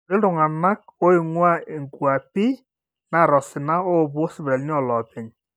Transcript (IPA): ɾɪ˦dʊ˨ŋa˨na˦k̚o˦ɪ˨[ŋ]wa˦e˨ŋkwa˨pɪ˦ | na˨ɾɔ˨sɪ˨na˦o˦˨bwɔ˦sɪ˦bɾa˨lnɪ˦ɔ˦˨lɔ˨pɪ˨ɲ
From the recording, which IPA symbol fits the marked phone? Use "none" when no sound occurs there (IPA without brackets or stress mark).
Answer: ŋ